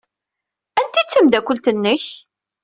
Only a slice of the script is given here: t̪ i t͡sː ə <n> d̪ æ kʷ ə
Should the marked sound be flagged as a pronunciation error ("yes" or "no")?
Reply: yes